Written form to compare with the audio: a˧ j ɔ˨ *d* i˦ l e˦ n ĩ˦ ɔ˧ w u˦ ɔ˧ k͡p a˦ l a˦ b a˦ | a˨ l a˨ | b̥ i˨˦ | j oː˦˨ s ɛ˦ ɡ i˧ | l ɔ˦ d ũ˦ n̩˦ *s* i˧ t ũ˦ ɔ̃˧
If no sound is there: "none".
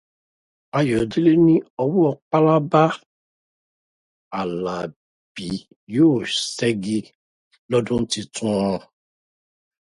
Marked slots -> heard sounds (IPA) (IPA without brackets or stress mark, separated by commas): d, t